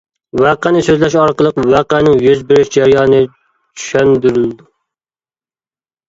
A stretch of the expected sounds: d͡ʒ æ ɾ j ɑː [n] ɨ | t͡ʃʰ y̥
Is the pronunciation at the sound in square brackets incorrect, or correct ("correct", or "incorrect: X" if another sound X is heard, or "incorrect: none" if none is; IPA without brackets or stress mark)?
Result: correct